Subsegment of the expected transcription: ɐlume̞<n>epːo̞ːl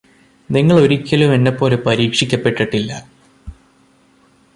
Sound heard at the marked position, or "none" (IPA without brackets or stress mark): nː